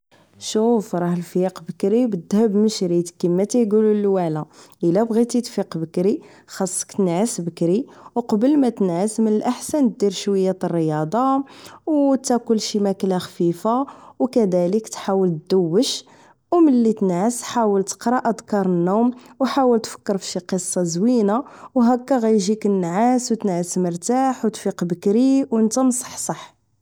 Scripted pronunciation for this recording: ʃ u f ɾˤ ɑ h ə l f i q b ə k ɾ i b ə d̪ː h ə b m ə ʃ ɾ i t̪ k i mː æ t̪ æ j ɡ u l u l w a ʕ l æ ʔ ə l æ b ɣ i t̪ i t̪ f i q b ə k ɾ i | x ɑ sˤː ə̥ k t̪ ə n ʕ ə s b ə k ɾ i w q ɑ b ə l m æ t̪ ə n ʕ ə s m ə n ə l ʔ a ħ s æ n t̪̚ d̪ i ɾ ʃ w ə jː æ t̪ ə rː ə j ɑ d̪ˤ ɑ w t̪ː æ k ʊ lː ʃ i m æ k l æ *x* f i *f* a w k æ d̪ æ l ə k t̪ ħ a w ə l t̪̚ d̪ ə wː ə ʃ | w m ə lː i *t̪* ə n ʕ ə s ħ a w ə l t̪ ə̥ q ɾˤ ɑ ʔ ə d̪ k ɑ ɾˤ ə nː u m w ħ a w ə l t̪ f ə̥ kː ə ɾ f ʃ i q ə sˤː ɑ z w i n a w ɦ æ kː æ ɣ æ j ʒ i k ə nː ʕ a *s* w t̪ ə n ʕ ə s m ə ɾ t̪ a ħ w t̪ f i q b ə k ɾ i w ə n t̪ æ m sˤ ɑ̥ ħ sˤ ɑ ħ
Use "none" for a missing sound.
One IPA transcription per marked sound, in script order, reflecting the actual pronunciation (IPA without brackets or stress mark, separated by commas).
x, f, t̪, s